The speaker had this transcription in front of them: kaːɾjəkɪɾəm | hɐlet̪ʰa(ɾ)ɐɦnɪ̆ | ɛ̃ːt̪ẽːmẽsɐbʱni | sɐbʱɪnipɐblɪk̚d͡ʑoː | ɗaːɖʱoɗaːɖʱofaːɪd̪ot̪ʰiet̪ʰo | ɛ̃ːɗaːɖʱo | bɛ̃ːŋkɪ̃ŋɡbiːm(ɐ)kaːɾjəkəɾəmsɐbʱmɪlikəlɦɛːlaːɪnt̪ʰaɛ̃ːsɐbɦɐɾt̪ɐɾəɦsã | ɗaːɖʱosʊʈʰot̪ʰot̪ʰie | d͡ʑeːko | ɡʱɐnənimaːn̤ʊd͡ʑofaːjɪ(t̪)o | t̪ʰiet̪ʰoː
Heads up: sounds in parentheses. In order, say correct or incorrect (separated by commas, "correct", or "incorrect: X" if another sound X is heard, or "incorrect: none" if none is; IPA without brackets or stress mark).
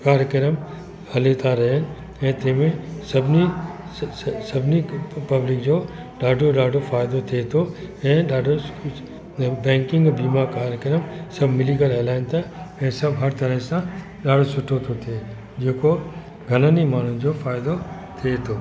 correct, incorrect: a, incorrect: d̪